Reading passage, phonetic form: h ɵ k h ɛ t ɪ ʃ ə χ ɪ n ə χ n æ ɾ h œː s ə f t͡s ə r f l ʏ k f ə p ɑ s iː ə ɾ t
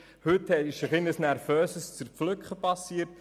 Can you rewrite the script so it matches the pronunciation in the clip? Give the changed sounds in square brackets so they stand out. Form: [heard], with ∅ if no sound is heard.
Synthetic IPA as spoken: h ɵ [t] h ɛ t ɪ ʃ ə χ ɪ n ə [s] n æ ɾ [f] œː s ə [s] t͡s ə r f l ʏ k [χ] ə p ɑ s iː ə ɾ t